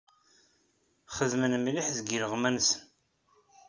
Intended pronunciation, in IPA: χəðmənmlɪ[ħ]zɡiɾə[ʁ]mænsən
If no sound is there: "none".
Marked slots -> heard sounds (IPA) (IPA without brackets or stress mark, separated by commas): ħ, ʁ